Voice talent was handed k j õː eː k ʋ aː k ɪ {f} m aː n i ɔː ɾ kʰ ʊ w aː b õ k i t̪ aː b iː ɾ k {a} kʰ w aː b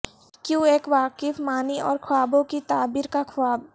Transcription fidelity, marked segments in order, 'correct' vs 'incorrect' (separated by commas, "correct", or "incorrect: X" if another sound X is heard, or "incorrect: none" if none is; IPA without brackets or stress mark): correct, correct